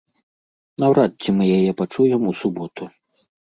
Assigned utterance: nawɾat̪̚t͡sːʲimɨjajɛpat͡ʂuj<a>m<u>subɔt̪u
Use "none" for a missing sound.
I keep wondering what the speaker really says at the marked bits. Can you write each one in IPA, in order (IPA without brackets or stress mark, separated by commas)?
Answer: ɛ, u